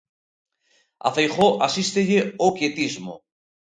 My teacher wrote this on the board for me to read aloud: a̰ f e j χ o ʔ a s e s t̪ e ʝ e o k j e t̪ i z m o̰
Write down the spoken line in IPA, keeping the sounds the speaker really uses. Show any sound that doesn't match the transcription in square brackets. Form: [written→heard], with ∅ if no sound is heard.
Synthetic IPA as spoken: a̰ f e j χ o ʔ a s [e→i] s t̪ e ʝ e o k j e t̪ i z m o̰